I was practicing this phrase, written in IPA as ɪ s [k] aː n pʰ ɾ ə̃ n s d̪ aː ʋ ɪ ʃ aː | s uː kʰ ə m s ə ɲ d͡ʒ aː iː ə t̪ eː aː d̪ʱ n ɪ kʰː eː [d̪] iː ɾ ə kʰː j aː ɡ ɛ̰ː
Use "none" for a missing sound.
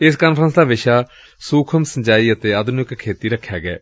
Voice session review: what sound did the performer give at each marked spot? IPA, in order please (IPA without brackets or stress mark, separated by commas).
k, t̪